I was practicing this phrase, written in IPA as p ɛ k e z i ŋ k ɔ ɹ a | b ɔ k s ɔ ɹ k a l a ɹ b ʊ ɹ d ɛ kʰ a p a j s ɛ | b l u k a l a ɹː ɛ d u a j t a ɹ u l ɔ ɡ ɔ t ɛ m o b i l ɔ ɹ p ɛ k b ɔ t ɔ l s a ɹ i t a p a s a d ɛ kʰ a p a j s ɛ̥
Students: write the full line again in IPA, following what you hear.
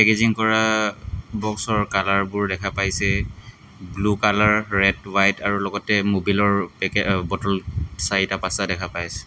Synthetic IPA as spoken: p ɛ k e z i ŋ k ɔ ɹ a | b ɔ k s ɔ ɹ k a l a ɹ b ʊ ɹ d ɛ kʰ a p a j s ɛ | b l u k a l a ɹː ɛ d w a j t a ɹ u l ɔ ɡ ɔ t ɛ m o b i l ɔ ɹ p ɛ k b ɔ t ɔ l s a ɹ i t a p a s a d ɛ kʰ a p a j s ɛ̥